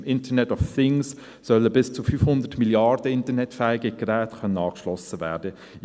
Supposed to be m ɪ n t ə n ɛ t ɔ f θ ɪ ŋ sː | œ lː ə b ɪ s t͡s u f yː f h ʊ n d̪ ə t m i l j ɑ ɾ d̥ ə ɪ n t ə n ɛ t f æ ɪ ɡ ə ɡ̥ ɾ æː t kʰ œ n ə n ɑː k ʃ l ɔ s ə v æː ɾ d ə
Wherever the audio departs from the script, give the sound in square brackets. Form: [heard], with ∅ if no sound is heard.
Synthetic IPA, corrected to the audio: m ɪ n t ə n ɛ t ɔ f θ ɪ ŋ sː | œ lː ə b ɪ s t͡s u f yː f h ʊ n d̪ ə t m i l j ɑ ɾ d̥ ə ɪ n t ə n ɛ t f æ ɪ ɡ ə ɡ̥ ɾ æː t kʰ œ n ə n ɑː k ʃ l ɔ s ə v æː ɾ d ə